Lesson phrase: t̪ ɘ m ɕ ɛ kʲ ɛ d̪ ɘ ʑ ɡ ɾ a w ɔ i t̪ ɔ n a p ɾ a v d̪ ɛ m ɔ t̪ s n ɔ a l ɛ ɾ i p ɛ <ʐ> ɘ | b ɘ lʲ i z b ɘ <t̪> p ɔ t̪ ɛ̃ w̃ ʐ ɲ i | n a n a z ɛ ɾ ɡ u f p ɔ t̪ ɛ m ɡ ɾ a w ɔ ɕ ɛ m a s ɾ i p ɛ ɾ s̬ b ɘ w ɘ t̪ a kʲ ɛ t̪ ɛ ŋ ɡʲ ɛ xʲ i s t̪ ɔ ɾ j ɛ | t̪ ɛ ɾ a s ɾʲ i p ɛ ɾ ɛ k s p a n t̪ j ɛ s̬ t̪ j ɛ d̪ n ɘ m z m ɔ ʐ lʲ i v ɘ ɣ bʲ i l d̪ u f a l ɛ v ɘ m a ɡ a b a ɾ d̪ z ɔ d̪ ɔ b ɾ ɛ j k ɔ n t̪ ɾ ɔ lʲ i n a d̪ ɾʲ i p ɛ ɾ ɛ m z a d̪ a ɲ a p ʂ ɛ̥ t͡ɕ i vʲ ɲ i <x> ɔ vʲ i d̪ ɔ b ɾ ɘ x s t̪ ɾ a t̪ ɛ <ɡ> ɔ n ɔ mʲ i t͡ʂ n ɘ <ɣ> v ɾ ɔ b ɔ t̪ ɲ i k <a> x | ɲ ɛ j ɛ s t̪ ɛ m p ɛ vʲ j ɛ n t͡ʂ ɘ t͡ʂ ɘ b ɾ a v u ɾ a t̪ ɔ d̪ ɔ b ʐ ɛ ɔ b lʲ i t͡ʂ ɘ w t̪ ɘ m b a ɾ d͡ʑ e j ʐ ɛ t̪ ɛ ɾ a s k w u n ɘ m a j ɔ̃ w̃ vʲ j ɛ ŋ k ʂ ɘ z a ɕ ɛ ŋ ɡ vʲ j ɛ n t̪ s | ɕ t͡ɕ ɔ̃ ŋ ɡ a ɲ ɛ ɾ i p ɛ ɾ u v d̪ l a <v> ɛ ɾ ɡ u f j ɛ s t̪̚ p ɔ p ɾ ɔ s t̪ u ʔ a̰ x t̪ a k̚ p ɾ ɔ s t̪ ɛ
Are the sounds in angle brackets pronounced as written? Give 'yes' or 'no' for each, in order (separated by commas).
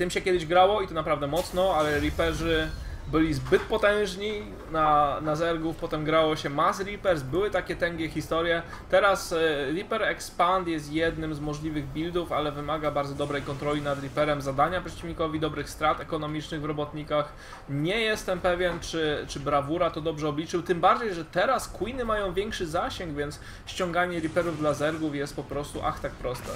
yes, yes, no, no, yes, yes, no